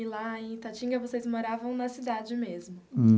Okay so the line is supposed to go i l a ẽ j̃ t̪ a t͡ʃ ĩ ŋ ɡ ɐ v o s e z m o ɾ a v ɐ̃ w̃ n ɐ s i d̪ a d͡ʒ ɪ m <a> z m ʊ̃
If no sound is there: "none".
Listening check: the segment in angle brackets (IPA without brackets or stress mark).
e